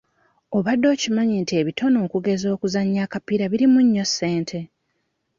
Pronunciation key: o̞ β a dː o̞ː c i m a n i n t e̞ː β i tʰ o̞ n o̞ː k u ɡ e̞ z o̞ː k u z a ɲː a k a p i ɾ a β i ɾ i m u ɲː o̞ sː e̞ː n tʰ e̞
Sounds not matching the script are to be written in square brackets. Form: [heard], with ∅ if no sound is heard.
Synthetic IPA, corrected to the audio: o̞ β a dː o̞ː c i m a [ɲ] i n t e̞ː β i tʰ o̞ n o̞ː k u ɡ e̞ z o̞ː k u z a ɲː a k a p i ɾ a β i ɾ i m u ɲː o̞ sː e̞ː n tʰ e̞